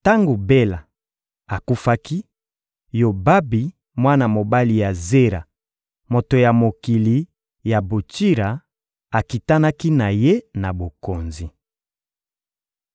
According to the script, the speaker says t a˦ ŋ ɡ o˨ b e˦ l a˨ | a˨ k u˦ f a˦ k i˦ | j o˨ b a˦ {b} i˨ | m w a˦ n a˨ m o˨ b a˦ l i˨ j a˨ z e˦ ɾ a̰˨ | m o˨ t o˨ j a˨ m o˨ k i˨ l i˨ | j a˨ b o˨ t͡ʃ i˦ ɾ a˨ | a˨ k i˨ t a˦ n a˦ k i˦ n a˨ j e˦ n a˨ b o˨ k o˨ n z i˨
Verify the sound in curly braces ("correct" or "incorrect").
correct